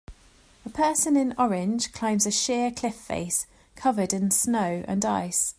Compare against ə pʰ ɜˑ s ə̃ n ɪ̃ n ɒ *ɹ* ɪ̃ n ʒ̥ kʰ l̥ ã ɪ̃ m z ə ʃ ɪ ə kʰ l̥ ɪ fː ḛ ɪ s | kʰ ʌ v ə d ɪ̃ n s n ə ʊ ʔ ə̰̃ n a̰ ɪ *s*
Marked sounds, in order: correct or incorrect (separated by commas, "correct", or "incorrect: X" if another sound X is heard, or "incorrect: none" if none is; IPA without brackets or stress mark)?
correct, correct